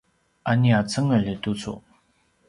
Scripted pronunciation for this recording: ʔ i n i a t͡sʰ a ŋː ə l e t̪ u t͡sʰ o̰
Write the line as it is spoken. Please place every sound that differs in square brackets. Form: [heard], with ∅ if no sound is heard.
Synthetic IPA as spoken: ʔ [a] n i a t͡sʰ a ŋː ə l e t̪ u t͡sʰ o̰